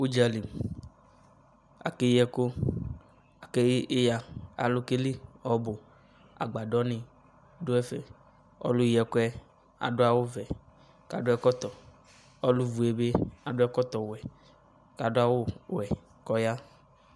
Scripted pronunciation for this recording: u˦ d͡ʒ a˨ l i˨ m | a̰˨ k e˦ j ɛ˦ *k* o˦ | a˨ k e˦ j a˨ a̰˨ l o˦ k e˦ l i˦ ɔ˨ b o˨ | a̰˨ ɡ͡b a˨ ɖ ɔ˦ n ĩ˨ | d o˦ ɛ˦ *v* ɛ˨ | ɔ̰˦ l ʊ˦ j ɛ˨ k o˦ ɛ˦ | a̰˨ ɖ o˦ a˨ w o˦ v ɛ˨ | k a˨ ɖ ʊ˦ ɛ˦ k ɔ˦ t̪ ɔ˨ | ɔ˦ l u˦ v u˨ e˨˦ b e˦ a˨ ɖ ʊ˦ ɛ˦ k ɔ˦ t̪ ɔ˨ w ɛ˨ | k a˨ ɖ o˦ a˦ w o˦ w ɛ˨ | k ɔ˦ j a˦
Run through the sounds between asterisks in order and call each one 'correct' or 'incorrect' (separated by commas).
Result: correct, incorrect